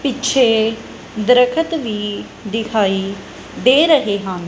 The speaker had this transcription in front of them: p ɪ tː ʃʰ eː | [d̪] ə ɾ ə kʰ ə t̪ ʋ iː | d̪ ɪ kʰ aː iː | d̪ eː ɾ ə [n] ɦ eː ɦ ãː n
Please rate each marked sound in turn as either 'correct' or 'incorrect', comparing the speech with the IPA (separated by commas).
correct, incorrect